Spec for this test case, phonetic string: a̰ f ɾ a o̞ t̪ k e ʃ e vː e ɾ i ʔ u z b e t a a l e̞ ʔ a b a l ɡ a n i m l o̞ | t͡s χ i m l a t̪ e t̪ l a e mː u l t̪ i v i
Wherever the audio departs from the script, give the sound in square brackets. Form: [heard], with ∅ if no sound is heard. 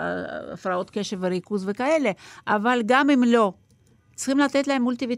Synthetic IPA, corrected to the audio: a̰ f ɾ a o̞ t̪ k e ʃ e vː e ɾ i [k] u z [v] e [k] a [e] l e̞ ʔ a [v] a l ɡ a [m] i m l o̞ | t͡s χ i m l a t̪ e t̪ l a e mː u l t̪ i v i